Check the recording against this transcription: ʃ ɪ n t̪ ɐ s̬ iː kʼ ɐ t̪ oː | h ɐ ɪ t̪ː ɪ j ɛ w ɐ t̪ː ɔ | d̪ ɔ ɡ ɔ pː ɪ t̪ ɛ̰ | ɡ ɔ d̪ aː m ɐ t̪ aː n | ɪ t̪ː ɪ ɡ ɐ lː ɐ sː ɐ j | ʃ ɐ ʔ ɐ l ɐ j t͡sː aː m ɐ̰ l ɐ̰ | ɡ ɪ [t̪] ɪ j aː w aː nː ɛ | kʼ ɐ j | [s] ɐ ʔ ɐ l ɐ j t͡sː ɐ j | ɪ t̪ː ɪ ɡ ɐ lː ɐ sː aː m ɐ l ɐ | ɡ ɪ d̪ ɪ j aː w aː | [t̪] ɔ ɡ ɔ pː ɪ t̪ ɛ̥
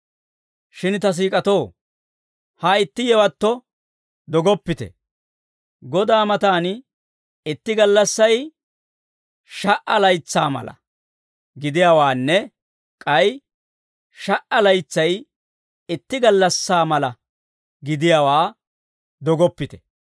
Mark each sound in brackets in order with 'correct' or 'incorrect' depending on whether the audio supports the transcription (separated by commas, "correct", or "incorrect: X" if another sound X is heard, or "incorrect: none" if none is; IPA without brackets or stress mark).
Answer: incorrect: d̪, incorrect: ʃ, incorrect: d̪